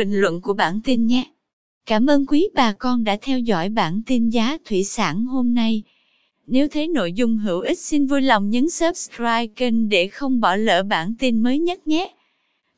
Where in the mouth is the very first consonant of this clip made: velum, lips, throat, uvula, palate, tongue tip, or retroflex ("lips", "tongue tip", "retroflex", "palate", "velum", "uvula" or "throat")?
velum